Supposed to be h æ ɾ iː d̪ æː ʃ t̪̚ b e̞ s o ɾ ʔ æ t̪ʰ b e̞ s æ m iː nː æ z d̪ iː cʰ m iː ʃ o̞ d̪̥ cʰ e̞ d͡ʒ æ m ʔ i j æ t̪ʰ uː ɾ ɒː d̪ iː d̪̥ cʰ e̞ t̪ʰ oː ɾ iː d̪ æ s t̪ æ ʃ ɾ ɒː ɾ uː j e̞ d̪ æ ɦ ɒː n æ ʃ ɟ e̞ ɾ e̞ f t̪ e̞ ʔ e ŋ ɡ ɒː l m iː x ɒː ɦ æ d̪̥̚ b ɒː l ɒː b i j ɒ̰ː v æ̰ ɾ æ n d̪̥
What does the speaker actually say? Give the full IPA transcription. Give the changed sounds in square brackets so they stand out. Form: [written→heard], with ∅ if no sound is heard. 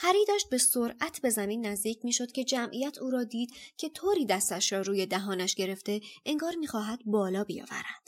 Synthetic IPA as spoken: h æ ɾ iː d̪ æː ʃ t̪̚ b e̞ s o ɾ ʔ æ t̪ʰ b e̞ [s→z] æ m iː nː æ z d̪ iː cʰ m iː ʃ o̞ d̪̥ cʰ e̞ d͡ʒ æ m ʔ i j æ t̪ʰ uː ɾ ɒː d̪ iː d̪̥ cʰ e̞ t̪ʰ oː ɾ iː d̪ æ s t̪ æ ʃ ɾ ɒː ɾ uː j e̞ d̪ æ ɦ ɒː n æ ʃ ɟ e̞ ɾ e̞ f t̪ e̞ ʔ e ŋ ɡ ɒː [l→ɾ] m iː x ɒː ɦ æ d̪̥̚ b ɒː l ɒː b i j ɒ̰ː v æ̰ ɾ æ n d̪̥